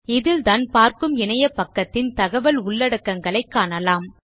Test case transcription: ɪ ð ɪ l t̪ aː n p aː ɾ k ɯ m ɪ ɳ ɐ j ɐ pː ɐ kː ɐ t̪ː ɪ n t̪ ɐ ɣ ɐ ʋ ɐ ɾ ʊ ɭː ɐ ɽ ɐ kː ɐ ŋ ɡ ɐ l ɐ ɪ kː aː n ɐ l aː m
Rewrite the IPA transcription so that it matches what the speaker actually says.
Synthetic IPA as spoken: ɪ ð ɪ l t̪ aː n p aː ɾ k ɯ m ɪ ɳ ɐ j ɐ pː ɐ kː ɐ t̪ː ɪ n t̪ ɐ ɣ ɐ ʋ ɐ l ʊ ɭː ɐ ɽ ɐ kː ɐ ŋ ɡ ɐ ɭ ɐ ɪ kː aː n ɐ l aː m